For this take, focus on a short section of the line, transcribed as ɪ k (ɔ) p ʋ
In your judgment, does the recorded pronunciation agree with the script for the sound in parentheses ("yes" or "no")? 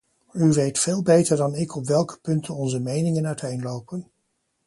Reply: yes